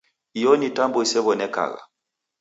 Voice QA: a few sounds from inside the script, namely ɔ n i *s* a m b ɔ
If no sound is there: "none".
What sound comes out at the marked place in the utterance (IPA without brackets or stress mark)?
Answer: t